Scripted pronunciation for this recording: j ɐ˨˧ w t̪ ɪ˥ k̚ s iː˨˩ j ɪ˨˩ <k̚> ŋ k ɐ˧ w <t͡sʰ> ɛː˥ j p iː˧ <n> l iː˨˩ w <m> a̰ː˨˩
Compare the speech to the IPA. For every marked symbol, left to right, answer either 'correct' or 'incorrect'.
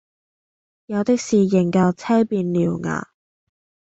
incorrect, correct, correct, incorrect

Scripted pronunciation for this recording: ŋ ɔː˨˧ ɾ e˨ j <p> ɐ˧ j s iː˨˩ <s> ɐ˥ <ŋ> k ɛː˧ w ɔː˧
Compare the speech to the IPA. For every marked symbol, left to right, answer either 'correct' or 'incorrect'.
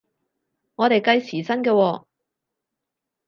incorrect, correct, incorrect

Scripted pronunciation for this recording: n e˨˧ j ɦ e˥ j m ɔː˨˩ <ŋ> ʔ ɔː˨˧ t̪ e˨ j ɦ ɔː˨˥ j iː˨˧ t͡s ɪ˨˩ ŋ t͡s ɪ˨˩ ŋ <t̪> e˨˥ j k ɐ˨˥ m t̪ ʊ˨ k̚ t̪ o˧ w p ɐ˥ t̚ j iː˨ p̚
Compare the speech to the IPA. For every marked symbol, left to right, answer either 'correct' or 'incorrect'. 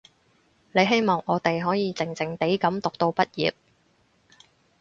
correct, correct

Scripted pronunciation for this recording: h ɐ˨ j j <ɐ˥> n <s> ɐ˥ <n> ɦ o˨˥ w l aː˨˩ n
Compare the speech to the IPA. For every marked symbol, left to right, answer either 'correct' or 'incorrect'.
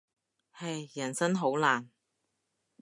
incorrect, correct, correct

